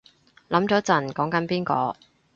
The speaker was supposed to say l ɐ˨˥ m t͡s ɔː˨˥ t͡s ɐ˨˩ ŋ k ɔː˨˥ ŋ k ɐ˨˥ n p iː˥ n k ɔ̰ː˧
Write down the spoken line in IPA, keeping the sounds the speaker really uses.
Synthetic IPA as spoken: l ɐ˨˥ m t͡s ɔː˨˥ t͡s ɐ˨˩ n k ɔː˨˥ ŋ k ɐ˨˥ n p iː˥ n k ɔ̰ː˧